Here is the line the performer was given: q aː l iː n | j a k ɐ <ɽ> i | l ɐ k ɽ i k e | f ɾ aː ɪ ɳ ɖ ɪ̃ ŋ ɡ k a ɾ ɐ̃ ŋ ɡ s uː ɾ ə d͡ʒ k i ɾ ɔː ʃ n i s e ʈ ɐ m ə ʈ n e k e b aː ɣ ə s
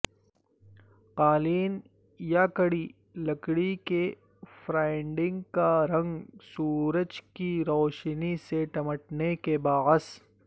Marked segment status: correct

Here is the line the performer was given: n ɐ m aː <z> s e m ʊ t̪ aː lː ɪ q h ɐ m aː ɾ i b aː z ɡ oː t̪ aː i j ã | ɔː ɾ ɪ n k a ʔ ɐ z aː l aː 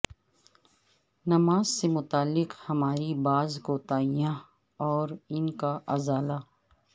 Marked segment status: correct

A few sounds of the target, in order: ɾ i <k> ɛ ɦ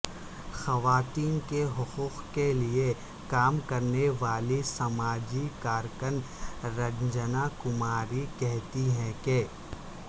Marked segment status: correct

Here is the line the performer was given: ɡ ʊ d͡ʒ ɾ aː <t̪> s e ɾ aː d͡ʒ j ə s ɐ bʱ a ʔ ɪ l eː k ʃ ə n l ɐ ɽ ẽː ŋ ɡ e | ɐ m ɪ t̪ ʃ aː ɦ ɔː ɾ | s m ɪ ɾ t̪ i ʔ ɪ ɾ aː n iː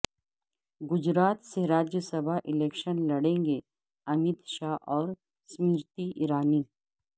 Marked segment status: correct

